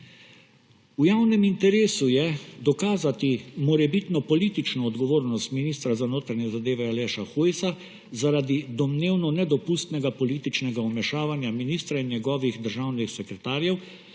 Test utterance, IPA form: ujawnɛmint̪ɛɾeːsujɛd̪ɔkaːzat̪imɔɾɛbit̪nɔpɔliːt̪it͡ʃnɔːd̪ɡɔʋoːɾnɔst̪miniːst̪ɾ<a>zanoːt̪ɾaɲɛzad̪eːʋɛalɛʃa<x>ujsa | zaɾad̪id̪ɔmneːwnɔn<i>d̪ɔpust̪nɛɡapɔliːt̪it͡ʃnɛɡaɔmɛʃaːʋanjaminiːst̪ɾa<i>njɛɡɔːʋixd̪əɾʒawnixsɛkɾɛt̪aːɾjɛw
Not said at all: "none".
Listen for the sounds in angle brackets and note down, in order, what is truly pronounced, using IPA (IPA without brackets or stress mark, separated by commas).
a, x, ɛ, i